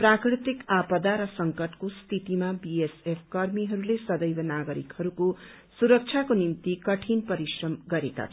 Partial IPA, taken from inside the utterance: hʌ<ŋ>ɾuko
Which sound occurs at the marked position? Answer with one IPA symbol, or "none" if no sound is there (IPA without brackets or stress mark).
none